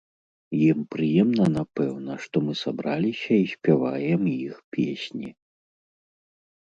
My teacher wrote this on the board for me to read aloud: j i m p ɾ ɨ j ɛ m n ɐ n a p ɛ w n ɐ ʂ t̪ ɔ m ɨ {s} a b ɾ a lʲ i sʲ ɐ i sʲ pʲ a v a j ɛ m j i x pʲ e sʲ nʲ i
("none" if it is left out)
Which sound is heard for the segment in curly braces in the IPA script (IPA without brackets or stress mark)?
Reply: s